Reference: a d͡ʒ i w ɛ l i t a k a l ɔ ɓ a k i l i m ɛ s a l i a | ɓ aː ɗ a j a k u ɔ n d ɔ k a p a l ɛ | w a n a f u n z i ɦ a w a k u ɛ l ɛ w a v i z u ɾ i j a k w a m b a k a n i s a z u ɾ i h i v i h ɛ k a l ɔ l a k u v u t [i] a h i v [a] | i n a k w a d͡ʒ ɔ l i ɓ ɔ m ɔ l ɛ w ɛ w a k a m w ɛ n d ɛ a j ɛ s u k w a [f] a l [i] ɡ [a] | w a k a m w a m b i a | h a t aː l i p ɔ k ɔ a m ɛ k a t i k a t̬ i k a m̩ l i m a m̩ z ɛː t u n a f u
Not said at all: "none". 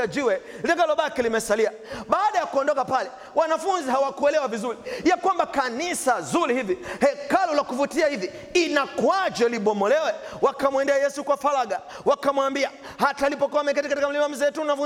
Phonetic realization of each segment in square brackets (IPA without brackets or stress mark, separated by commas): i, i, f, a, a